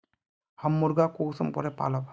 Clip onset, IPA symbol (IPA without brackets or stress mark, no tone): h